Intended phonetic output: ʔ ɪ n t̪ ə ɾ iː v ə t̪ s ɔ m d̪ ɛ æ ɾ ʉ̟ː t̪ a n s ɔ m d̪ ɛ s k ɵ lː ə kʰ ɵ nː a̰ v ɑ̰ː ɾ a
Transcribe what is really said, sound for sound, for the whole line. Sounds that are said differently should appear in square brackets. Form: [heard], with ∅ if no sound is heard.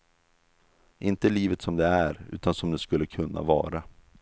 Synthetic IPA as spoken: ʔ ɪ n t̪ ə [l] iː v ə t̪ s ɔ m d̪ ɛ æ ɾ ʉ̟ː t̪ a n s ɔ m d̪ ɛ s k ɵ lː ə kʰ ɵ nː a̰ v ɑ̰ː ɾ a